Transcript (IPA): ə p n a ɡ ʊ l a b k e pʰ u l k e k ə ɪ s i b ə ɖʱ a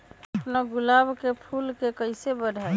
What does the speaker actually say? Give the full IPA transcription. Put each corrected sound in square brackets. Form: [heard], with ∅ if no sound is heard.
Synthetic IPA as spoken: ə p n a ɡ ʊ l a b k e pʰ u l k e k ə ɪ s [e] b ə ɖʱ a